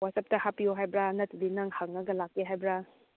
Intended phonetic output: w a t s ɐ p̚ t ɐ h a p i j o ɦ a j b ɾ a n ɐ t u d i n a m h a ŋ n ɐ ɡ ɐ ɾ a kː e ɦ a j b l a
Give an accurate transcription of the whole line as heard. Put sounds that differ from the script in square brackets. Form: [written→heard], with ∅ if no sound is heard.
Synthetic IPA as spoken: w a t s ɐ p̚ t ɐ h a p i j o ɦ a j b ɾ a n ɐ t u d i n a [m→ŋ] h a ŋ n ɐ ɡ ɐ [ɾ→l] a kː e ɦ a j b [l→ɾ] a